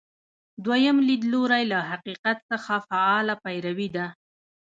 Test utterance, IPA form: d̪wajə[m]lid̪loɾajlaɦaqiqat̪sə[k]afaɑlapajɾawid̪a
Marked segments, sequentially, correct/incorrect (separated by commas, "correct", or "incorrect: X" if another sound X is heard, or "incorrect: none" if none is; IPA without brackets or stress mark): correct, incorrect: x